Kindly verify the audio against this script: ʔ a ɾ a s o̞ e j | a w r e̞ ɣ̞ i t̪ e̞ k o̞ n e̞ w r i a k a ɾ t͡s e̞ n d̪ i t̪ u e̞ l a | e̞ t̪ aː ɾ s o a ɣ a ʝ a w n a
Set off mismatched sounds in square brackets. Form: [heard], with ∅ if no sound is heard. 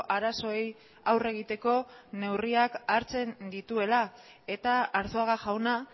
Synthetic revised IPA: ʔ a ɾ a s o̞ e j | a w r e̞ ɣ̞ i t̪ e̞ k o̞ n e̞ w r i a k a ɾ t͡s e̞ n d̪ i t̪ u e̞ l a | e̞ t̪ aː ɾ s o a ɣ a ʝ a w n a